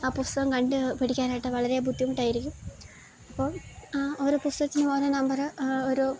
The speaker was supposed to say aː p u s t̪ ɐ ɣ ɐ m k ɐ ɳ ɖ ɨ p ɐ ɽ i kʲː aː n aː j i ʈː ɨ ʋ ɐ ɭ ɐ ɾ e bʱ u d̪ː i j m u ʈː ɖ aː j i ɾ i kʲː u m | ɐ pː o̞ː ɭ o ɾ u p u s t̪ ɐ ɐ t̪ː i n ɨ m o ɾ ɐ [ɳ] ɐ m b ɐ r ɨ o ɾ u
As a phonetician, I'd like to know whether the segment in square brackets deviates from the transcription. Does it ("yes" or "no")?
yes